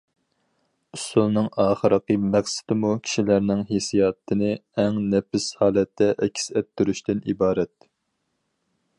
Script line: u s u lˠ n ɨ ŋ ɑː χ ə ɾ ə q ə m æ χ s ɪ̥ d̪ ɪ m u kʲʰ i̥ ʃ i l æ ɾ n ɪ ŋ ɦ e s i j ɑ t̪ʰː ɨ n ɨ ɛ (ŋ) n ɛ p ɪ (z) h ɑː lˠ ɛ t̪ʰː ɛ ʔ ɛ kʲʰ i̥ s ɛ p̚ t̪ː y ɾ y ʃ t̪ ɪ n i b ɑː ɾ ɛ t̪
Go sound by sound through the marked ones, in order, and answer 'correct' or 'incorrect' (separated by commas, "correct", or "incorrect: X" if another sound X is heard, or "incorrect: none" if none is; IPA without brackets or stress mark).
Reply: correct, incorrect: s